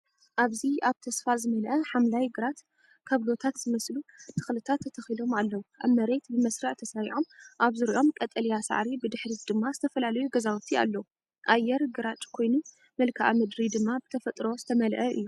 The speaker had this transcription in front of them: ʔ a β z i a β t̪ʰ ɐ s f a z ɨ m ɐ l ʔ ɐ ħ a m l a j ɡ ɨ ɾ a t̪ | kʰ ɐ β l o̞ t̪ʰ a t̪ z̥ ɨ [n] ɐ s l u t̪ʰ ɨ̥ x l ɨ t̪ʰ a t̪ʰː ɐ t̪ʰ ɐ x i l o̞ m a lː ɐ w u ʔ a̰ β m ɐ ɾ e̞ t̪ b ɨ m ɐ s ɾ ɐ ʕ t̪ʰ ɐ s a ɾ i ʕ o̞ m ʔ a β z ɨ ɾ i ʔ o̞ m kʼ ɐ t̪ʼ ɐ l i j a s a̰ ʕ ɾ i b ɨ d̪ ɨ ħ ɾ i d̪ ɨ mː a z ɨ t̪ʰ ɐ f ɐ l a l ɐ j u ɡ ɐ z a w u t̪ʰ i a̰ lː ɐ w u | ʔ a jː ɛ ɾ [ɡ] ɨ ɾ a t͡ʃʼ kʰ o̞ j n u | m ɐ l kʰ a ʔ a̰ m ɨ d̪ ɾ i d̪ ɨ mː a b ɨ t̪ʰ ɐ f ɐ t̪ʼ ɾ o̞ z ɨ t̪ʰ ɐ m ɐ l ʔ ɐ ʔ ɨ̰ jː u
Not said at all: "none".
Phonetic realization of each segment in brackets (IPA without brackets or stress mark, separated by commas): m, ɡ